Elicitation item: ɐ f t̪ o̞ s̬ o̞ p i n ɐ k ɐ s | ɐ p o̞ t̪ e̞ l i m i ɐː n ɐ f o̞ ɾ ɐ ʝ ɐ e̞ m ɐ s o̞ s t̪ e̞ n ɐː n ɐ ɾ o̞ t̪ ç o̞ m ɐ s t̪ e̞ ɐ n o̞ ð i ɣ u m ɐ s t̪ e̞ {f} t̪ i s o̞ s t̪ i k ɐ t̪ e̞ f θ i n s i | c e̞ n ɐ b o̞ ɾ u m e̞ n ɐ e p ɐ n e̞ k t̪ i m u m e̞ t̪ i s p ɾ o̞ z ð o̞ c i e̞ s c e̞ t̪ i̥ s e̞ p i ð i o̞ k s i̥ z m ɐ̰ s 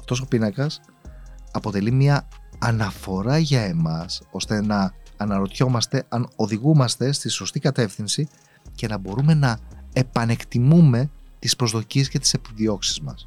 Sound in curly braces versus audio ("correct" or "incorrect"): incorrect